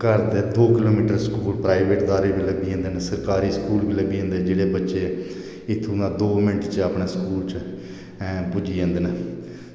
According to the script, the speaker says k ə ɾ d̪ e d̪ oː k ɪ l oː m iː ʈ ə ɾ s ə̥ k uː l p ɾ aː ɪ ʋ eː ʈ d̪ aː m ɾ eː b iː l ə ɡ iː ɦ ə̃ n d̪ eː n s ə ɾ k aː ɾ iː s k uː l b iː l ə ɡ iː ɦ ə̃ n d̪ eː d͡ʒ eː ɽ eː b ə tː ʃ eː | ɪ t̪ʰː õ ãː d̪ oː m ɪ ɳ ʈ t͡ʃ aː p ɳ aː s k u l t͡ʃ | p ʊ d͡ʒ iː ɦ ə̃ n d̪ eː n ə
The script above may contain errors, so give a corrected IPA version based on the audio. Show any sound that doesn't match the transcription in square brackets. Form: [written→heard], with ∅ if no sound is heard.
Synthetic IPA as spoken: k ə ɾ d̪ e d̪ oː k ɪ l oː m iː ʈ ə ɾ s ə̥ k uː l p ɾ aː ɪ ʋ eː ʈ d̪ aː [m→∅] ɾ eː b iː l ə ɡ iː ɦ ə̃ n d̪ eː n s ə ɾ k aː ɾ iː s k uː l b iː l ə ɡ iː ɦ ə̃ n d̪ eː d͡ʒ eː ɽ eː b ə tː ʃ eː | ɪ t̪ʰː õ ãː d̪ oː m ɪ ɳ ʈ t͡ʃ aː p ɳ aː s k [u→uː] l t͡ʃ | p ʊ d͡ʒ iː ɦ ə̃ n d̪ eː n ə